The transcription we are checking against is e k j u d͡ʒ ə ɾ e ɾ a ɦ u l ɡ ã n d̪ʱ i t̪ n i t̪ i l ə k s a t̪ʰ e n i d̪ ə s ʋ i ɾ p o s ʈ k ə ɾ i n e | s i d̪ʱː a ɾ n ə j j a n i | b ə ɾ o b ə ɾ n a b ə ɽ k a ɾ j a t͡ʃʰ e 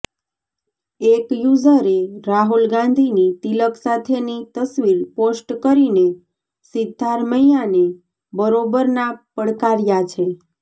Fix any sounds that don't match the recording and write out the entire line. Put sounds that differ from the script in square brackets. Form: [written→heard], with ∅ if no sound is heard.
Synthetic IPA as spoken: e k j u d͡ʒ ə ɾ e ɾ a ɦ u l ɡ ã n d̪ʱ i [t̪→∅] n i t̪ i l ə k s a t̪ʰ e n i [d̪→t̪] ə s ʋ i ɾ p o s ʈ k ə ɾ i n e | s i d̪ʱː a ɾ [n→m] ə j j a n [i→e] | b ə ɾ o b ə ɾ n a [b→p] ə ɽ k a ɾ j a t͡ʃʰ e